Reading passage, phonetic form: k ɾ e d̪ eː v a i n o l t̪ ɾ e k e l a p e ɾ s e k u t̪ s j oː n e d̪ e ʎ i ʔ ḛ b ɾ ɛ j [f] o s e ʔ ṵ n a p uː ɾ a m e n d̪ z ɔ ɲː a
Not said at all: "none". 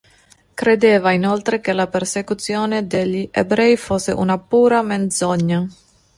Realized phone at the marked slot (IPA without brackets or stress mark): f